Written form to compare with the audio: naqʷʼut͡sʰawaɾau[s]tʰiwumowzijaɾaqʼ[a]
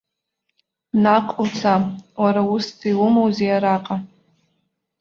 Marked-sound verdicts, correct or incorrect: correct, correct

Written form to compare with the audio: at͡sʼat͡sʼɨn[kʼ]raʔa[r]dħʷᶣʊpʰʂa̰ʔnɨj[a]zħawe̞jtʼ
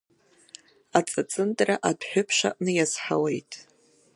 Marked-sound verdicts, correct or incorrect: incorrect, incorrect, correct

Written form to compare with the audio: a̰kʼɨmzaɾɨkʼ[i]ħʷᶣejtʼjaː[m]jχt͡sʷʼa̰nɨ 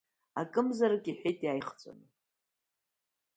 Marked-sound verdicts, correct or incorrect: correct, incorrect

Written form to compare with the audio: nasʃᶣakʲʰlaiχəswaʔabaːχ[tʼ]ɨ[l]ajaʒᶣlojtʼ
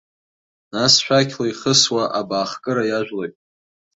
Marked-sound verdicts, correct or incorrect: incorrect, incorrect

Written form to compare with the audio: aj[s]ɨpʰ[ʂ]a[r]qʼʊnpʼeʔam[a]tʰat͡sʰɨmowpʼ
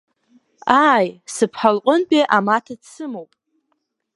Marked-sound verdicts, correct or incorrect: correct, incorrect, incorrect, correct

